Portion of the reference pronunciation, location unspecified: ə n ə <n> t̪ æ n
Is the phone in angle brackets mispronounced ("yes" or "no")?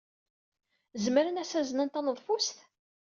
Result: no